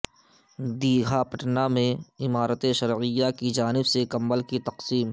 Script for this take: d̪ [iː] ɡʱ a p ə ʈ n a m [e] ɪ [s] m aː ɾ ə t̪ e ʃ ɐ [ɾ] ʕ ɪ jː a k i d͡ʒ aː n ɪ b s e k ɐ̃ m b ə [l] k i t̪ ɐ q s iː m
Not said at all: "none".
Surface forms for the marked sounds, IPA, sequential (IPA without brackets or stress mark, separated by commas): iː, ẽ, none, ɾ, l